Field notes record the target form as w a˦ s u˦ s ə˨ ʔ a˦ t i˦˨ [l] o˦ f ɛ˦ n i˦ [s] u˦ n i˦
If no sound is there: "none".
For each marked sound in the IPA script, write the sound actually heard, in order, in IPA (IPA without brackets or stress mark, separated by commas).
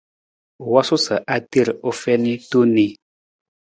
ɾ, t